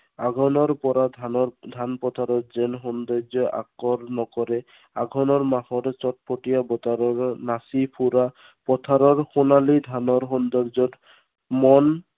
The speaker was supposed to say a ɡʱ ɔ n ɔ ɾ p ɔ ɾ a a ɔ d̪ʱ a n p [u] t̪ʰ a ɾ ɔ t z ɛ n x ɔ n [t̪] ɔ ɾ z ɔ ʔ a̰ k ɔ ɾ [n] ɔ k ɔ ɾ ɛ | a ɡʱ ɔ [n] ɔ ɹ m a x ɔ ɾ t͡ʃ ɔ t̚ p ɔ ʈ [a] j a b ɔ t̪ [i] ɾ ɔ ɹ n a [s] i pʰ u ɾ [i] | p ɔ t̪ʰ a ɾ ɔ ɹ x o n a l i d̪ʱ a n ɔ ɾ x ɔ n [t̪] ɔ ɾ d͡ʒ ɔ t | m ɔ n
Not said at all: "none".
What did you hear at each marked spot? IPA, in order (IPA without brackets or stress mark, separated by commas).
ɔ, d̪, n, n, i, a, s, a, d̪